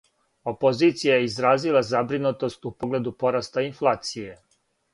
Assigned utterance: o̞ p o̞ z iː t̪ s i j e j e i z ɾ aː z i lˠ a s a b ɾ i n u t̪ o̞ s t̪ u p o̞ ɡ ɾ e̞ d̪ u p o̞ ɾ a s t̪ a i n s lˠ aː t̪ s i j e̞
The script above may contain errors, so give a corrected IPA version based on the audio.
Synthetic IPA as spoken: o̞ p o̞ z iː t̪ s i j a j e i z ɾ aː z i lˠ a z a b ɾ i n u t̪ o̞ s t̪ u p o̞ ɡ l e̞ d̪ u p o̞ ɾ a s t̪ a i n f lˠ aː t̪ s i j e̞